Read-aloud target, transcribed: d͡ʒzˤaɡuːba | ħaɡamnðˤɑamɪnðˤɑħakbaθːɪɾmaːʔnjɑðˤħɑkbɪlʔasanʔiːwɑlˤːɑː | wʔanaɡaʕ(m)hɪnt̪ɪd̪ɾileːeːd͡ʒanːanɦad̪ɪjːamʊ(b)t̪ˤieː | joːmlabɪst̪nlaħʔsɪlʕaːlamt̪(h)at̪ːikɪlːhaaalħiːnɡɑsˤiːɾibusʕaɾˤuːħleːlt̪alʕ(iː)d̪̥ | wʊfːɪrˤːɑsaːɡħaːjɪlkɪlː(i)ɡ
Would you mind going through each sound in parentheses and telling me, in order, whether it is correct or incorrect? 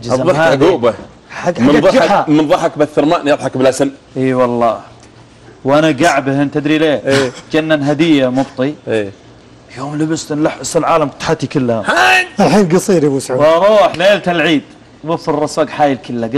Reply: incorrect: b, correct, incorrect: ħ, correct, incorrect: a

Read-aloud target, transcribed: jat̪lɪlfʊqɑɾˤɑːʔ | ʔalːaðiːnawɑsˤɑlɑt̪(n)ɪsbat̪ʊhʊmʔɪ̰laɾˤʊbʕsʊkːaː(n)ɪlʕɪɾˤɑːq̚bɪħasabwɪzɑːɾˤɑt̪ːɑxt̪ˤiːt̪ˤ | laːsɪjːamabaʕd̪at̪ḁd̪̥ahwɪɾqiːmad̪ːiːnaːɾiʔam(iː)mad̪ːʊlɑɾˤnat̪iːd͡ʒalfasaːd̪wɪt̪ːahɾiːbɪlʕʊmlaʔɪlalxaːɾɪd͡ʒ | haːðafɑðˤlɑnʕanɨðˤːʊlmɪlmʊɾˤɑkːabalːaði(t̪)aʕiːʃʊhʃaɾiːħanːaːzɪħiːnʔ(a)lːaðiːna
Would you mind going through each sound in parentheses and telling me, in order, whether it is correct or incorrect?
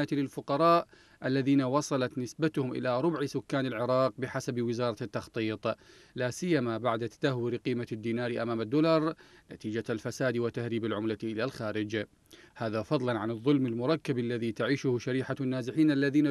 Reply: correct, correct, incorrect: aː, correct, correct

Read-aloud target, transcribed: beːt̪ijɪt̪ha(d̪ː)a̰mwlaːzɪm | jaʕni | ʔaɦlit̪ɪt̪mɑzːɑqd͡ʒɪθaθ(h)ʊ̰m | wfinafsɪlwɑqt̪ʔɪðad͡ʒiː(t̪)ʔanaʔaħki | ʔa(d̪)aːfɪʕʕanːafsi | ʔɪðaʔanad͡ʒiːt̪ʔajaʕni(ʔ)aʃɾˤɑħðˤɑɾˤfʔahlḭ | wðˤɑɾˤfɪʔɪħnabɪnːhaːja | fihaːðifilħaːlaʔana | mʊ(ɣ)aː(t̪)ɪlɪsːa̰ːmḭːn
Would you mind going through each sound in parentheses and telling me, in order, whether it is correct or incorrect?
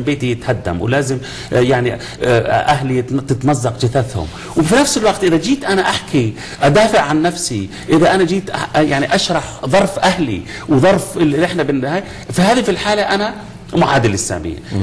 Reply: correct, correct, correct, correct, correct, incorrect: ʕ, incorrect: d̪

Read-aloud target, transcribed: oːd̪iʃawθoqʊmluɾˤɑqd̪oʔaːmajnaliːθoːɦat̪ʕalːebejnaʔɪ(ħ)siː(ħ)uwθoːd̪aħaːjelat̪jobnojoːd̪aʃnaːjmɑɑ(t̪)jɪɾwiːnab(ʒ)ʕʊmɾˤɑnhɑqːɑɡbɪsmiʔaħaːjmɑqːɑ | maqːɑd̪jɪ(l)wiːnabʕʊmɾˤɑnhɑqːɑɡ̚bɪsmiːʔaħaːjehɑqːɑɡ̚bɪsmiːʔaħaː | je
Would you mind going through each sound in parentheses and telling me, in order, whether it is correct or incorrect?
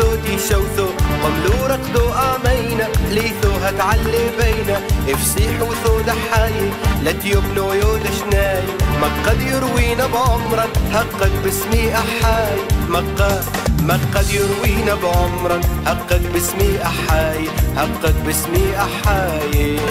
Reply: incorrect: f, correct, incorrect: d̪, incorrect: ʕ, incorrect: ɾ

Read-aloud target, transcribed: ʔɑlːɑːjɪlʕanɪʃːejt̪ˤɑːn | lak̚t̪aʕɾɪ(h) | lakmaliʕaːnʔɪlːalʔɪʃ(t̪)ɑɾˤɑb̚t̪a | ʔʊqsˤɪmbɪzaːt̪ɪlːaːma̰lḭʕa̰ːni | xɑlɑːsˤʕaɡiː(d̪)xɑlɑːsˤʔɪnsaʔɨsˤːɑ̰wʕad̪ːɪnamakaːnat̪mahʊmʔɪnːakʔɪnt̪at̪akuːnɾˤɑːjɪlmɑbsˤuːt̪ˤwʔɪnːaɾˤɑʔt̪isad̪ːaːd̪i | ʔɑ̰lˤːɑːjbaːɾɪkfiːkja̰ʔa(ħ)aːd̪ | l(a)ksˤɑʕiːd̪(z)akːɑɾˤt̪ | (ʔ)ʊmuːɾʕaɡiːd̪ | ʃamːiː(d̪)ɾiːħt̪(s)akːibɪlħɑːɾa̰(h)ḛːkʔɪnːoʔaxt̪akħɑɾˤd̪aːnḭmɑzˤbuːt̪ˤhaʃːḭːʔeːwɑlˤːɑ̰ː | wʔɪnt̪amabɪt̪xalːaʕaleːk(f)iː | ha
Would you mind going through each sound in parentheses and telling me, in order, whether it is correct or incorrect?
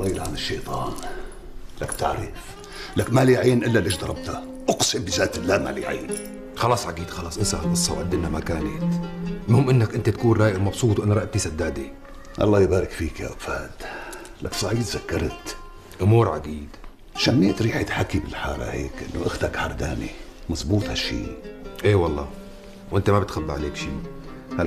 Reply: incorrect: f, incorrect: d̪, correct, incorrect: f, correct, correct, correct, incorrect: t̪, incorrect: ħ, correct, incorrect: ʃ

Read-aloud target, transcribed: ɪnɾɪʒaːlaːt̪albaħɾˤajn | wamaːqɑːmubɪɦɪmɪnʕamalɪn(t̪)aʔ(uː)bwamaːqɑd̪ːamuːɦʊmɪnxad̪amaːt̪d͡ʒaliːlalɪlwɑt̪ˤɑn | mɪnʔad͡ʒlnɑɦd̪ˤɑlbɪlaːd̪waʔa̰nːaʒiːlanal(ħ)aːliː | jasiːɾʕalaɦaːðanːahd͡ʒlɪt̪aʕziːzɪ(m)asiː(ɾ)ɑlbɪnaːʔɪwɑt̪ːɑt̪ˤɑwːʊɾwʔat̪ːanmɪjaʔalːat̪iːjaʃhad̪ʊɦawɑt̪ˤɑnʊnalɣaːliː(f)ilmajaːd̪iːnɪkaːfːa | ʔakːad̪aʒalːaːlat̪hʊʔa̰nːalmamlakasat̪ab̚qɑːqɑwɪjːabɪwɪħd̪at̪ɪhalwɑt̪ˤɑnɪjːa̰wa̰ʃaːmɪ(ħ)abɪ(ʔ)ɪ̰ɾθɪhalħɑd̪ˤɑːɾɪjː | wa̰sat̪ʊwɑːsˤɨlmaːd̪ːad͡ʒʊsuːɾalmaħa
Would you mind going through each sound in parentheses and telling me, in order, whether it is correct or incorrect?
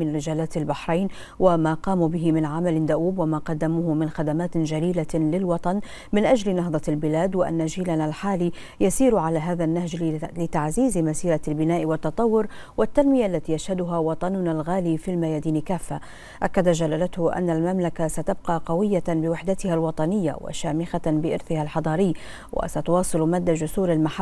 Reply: incorrect: d̪, correct, correct, correct, correct, correct, incorrect: x, correct

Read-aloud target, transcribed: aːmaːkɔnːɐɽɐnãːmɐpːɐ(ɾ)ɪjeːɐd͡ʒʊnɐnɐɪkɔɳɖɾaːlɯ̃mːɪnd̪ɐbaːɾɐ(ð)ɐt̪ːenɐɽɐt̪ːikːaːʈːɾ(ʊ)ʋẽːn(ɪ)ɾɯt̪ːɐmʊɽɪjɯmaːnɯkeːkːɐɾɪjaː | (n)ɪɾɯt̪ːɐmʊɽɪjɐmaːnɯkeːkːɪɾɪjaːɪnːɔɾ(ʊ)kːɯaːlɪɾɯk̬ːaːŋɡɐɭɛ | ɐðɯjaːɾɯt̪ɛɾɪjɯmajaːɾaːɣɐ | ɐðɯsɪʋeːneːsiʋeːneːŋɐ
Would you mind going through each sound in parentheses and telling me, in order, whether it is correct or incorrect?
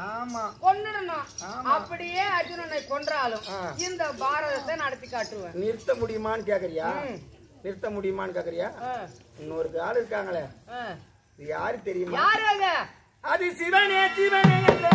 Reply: incorrect: ɽ, correct, incorrect: ɯ, correct, correct, incorrect: ɯ

